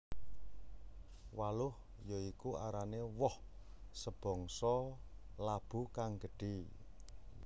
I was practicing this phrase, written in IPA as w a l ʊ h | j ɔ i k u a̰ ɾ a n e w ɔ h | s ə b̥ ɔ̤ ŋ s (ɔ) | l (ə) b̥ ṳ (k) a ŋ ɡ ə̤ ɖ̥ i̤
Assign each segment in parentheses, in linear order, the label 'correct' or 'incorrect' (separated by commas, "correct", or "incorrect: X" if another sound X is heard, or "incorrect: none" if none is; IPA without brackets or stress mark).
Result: correct, incorrect: a, correct